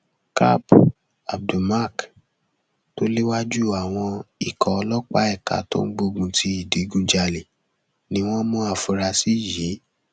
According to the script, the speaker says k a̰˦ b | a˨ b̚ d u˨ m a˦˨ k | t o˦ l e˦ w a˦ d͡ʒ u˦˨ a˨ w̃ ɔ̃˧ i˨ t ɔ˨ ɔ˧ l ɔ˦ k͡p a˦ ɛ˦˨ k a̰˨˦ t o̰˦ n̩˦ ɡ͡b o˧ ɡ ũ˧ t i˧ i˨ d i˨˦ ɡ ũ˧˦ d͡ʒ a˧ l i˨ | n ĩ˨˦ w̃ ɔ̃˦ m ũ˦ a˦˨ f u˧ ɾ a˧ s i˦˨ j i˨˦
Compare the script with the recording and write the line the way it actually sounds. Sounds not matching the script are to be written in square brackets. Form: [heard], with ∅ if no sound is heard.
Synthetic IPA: k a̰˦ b | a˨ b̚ d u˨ m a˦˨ k | t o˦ l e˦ w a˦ d͡ʒ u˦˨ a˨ w̃ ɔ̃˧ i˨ [k] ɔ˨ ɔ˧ l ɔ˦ k͡p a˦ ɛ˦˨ k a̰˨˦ t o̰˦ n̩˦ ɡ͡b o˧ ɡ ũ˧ t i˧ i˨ d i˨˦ ɡ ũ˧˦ d͡ʒ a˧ l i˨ | n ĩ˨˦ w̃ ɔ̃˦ m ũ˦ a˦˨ f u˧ ɾ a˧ s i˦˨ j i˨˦

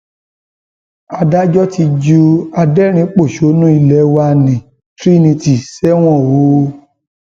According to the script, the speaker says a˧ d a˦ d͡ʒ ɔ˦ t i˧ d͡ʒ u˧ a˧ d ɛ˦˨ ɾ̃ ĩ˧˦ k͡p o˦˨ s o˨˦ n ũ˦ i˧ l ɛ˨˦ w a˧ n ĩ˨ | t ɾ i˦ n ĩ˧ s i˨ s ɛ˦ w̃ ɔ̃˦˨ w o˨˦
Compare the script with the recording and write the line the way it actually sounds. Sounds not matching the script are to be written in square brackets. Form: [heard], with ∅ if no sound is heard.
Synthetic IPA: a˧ d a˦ d͡ʒ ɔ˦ t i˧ d͡ʒ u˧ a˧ d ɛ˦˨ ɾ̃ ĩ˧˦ k͡p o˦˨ [ʃ] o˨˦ n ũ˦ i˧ l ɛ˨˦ w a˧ n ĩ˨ | t ɾ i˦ n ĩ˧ [t] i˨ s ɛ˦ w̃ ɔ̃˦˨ w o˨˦

